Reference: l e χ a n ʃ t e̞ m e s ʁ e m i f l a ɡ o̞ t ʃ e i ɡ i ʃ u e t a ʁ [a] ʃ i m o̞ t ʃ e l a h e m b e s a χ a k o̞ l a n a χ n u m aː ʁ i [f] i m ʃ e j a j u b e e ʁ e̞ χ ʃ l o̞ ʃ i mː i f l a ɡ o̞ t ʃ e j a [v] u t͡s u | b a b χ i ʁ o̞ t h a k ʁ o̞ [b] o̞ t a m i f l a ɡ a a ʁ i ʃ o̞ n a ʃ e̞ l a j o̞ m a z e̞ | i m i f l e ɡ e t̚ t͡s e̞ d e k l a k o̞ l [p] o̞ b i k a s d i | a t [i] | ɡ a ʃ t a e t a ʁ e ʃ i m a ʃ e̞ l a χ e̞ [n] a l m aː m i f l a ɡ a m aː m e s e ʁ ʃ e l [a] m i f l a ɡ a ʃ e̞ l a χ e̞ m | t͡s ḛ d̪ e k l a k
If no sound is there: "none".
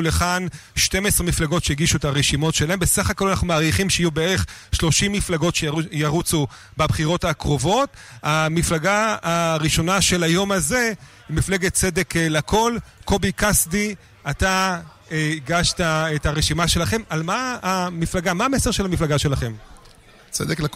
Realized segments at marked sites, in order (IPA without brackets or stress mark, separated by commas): e, χ, ʁ, v, k, a, m, a